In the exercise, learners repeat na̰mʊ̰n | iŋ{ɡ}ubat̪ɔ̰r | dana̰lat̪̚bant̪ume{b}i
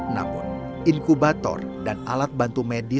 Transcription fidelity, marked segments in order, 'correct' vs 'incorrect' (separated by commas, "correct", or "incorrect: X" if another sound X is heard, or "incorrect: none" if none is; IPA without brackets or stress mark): incorrect: k, incorrect: d